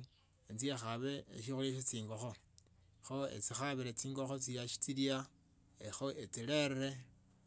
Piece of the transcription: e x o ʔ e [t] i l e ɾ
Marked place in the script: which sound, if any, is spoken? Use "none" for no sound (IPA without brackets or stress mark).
t͡s